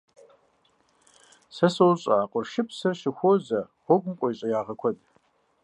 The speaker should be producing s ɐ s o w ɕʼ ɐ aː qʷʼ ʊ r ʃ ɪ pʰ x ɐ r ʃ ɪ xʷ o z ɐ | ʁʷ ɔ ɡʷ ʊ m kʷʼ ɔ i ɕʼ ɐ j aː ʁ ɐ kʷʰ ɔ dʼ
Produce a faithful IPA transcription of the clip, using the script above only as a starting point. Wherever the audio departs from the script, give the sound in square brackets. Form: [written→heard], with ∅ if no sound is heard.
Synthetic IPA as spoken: s ɐ s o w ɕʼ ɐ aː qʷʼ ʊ r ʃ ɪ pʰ [x→s] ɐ r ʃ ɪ xʷ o z ɐ | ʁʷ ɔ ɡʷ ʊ m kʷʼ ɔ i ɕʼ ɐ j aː ʁ ɐ kʷʰ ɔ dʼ